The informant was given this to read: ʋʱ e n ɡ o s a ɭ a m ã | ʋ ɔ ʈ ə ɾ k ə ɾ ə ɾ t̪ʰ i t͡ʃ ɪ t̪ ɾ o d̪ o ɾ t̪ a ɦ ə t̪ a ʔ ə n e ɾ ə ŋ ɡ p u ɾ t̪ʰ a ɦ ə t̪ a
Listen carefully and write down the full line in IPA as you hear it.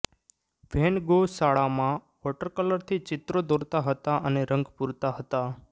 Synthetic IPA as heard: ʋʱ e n ɡ o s a ɭ a m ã | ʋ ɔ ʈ ə ɾ k ə l ə ɾ t̪ʰ i t͡ʃ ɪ t̪ ɾ o d̪ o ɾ t̪ a ɦ ə t̪ a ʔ ə n e ɾ ə ŋ ɡ p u ɾ t̪ a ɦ ə t̪ a